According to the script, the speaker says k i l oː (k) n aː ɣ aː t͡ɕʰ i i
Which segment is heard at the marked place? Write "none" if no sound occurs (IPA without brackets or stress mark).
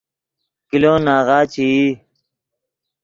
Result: none